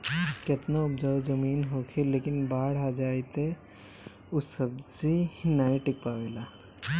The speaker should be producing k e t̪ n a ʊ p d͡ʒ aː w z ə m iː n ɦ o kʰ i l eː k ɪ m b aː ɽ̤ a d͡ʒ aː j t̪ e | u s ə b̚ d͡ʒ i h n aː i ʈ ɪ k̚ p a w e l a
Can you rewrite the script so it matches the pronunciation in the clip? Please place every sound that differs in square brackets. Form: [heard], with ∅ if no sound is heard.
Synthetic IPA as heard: k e t̪ n a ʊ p d͡ʒ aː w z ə m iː n ɦ o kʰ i l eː k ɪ [n] b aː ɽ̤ a d͡ʒ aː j t̪ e | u s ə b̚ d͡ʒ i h n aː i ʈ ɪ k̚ p a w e l a